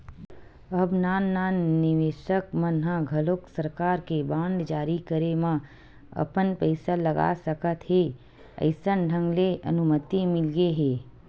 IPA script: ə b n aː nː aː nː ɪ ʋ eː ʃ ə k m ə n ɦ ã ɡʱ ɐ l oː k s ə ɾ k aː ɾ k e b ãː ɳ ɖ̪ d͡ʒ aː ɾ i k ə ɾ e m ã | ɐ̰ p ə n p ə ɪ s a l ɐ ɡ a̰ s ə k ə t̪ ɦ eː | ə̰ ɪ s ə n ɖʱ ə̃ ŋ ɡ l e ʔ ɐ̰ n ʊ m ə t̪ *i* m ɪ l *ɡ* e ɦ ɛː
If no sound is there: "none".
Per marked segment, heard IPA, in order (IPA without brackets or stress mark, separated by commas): i, ɡ